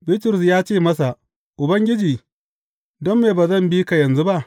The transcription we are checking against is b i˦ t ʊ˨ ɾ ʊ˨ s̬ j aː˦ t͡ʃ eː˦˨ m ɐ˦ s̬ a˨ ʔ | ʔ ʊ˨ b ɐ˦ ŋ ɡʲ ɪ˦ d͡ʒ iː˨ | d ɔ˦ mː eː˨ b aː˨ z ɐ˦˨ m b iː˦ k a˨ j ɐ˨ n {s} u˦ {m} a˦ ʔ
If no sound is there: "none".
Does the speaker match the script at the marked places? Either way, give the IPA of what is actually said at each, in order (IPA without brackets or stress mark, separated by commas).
z, b